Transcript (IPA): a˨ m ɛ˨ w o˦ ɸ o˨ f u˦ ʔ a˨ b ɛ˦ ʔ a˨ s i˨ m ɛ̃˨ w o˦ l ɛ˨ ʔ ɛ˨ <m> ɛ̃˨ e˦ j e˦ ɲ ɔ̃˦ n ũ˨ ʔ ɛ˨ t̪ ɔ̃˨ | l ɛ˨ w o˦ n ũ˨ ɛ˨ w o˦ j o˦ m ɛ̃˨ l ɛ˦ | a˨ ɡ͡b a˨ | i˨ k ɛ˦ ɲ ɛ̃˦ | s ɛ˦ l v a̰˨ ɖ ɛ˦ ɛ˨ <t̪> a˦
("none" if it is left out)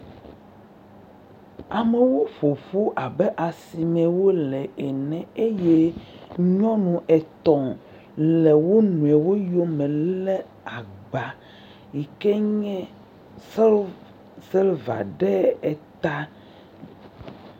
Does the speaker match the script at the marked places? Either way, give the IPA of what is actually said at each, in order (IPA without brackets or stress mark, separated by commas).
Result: n, t̪